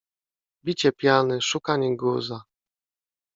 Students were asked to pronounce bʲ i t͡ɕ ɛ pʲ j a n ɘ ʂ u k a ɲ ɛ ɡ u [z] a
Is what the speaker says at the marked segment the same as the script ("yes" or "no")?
yes